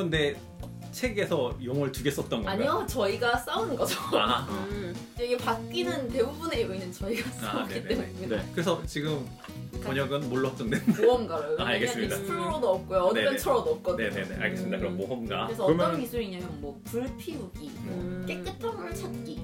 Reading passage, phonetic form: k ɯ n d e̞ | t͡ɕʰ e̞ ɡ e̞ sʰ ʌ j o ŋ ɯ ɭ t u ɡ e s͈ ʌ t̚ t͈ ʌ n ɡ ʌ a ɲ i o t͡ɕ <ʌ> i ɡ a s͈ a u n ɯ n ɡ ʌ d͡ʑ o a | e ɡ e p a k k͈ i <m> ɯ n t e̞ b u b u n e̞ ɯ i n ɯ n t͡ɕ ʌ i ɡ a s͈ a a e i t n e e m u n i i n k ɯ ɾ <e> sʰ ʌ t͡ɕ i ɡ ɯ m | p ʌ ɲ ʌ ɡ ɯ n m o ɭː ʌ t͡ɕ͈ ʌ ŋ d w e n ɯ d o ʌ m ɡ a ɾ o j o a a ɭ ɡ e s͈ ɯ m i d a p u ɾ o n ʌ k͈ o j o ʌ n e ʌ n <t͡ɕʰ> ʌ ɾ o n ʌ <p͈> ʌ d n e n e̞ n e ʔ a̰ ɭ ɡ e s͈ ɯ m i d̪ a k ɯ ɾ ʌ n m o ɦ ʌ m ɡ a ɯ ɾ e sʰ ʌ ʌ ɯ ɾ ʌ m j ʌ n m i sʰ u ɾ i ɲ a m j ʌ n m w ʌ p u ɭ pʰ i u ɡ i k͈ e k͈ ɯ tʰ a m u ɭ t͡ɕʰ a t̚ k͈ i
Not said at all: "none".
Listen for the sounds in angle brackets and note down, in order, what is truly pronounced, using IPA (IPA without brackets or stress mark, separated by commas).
ʌ, n, e, t͡ɕʰ, k͈